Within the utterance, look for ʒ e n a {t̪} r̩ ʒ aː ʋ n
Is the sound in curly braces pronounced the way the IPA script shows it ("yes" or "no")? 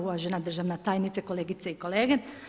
no